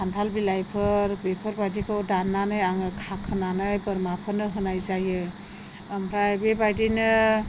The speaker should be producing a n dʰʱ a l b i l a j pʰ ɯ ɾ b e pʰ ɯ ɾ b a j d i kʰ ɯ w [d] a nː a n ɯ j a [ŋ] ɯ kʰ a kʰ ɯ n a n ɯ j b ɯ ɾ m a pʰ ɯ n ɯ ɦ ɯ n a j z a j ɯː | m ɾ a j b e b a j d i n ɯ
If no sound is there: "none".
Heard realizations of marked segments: d, ŋ

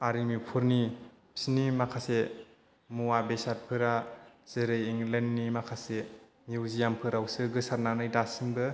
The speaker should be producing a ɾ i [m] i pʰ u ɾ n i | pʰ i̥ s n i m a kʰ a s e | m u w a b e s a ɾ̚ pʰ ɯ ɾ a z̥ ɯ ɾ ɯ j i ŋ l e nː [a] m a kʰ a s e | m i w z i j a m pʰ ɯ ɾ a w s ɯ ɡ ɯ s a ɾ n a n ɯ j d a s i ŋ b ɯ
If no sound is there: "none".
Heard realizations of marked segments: m, i

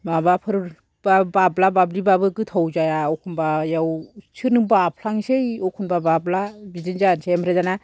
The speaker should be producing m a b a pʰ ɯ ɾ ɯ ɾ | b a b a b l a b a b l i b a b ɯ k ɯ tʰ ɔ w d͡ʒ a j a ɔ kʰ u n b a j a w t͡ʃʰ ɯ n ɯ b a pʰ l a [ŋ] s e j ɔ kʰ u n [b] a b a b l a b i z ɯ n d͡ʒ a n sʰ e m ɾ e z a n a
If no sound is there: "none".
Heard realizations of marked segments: ŋ, b

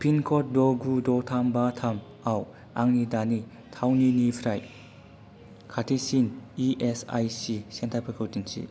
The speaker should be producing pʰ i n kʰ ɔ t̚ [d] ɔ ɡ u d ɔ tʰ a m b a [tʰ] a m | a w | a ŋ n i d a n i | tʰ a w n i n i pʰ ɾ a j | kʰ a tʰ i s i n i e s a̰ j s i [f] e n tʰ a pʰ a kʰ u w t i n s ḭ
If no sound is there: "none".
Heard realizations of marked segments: d, tʰ, s

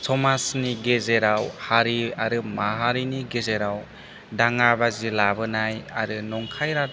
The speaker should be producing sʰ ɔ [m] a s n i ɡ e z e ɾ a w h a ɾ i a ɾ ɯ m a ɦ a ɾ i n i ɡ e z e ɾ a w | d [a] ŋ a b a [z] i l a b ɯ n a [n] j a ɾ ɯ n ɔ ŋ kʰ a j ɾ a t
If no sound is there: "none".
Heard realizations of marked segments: m, a, z, none

